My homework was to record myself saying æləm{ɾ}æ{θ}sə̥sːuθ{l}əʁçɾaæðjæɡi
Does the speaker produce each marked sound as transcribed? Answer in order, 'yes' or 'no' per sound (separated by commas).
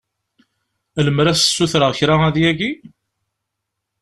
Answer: yes, no, no